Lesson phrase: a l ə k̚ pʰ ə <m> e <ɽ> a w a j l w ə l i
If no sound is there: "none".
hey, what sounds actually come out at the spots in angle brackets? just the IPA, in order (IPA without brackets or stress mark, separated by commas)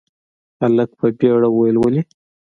b, ɽ